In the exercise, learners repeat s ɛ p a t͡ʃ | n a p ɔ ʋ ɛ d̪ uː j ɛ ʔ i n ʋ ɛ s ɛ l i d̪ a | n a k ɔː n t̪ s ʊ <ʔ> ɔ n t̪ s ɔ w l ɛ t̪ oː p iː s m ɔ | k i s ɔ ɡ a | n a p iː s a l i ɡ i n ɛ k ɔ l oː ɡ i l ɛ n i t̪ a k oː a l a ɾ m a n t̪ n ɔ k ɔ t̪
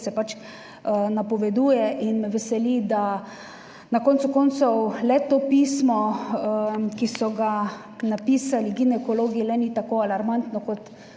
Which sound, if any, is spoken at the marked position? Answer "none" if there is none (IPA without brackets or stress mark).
k